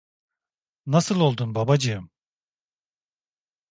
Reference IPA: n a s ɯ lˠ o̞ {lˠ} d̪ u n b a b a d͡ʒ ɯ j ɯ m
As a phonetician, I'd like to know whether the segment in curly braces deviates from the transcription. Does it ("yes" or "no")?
no